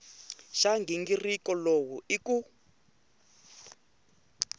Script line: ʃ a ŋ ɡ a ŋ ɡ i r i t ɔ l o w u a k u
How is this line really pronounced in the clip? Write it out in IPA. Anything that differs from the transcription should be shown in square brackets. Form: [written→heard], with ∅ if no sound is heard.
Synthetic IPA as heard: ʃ a ŋ ɡ [a→i] ŋ ɡ i r i [t→k] ɔ l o w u [a→i] k u